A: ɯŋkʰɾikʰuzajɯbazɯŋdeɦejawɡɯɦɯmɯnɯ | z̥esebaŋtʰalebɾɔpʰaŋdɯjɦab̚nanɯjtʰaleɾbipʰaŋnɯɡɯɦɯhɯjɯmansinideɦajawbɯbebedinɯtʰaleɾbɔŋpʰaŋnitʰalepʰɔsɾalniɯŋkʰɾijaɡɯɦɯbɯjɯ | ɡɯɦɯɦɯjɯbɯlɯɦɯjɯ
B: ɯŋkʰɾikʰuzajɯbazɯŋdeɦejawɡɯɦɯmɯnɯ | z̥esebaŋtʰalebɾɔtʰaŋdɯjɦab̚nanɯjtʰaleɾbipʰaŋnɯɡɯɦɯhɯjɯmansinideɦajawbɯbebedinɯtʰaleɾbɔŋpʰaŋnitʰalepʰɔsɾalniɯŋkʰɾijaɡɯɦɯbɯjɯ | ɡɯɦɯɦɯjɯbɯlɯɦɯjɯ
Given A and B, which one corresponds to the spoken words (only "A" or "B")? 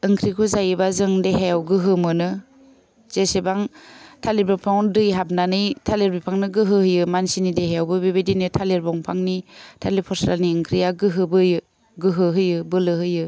A